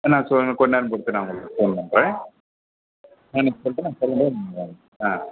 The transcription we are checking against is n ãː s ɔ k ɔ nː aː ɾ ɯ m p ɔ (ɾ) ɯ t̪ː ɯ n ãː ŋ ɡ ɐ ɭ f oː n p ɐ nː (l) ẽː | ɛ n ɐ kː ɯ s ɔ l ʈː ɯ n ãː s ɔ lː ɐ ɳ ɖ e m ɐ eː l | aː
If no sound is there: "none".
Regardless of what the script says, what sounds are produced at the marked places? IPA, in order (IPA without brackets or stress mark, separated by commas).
ɽ, ɾ